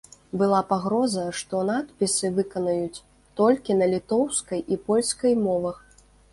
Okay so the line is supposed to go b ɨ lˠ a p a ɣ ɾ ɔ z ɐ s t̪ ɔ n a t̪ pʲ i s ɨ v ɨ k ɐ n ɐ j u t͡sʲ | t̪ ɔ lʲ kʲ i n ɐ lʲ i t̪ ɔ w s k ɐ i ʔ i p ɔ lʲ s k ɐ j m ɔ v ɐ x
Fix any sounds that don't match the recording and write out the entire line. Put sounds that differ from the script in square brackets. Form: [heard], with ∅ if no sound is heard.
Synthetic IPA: b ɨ lˠ a p a ɣ ɾ ɔ z ɐ [ʂ] t̪ ɔ n a t̪ pʲ i s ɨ v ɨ k ɐ n ɐ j u t͡sʲ | t̪ ɔ lʲ kʲ i n ɐ lʲ i t̪ ɔ w s k ɐ [j] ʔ i p ɔ lʲ s k ɐ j m ɔ v ɐ x